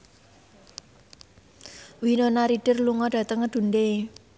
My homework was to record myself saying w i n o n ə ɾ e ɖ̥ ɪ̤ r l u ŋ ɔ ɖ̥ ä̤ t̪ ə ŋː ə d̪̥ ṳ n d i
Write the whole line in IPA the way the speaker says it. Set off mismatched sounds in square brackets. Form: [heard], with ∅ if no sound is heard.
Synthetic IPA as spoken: w i n o n [a] ɾ [i] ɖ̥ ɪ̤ r l u ŋ ɔ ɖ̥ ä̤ t̪ ə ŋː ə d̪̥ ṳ n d [e]